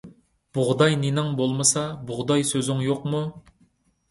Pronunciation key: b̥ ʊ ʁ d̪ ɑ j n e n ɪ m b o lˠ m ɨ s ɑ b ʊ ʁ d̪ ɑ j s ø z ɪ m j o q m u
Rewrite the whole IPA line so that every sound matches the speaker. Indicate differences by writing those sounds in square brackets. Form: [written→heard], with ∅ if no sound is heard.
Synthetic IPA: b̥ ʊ ʁ d̪ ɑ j n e n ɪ [m→ŋ] b o lˠ m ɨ s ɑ b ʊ ʁ d̪ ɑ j s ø z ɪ [m→ŋ] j o q m u